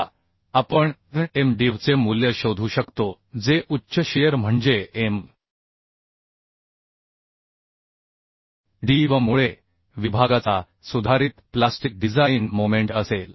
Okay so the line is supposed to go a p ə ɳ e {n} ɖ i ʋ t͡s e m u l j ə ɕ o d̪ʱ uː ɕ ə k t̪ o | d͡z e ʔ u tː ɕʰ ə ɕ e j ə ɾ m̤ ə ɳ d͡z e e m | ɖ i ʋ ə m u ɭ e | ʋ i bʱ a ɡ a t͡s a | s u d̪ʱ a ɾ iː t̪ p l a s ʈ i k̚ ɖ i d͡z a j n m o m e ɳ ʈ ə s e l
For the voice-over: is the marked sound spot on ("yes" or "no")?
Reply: no